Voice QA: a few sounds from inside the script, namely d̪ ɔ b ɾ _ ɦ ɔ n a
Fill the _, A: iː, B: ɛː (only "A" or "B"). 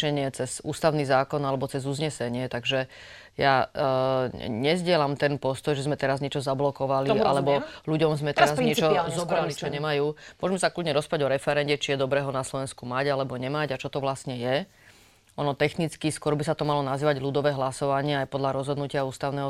B